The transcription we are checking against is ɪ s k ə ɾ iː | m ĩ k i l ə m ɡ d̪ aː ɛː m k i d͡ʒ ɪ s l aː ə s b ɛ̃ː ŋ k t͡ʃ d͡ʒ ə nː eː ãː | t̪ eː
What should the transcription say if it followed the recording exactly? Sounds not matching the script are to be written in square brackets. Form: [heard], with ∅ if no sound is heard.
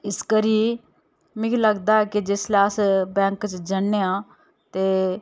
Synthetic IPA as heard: ɪ s k ə ɾ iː | m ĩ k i l ə [∅] ɡ d̪ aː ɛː [∅] k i d͡ʒ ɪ s l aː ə s b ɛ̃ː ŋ k t͡ʃ d͡ʒ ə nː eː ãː | t̪ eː